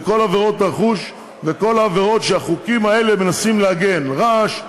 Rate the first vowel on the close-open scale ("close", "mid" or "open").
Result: mid